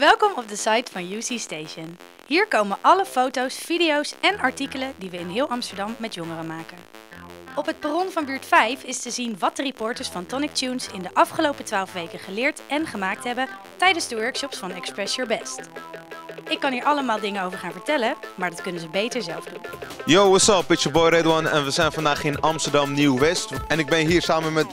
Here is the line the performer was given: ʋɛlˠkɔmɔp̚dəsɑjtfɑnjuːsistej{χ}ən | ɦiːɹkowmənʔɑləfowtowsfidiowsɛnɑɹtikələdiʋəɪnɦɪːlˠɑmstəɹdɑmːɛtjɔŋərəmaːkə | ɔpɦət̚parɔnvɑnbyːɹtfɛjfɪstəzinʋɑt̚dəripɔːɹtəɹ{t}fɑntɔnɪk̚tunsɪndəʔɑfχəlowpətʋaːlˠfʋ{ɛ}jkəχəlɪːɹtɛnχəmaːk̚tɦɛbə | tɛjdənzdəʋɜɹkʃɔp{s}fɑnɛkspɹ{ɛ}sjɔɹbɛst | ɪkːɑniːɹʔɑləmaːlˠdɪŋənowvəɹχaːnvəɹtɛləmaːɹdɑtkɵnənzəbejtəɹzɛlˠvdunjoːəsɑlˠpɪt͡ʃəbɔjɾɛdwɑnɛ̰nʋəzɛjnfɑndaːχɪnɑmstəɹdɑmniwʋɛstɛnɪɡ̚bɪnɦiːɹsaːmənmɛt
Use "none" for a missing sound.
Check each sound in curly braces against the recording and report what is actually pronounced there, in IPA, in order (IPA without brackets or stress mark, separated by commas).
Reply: ʃ, s, e, s, ɛ